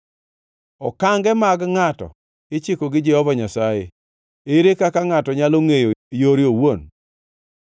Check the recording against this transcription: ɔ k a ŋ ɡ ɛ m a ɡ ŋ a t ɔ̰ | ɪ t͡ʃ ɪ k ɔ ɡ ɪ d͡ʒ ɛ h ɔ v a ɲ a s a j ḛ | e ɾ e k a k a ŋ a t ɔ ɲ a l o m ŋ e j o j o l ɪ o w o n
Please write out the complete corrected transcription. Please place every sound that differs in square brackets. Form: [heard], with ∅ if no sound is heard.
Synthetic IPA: ɔ k a ŋ ɡ ɛ m a ɡ ŋ a t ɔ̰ | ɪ t͡ʃ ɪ k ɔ ɡ ɪ d͡ʒ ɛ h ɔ v a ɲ a s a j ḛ | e ɾ e k a k a ŋ a t ɔ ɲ a l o [∅] ŋ e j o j o [ɾ] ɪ o w o n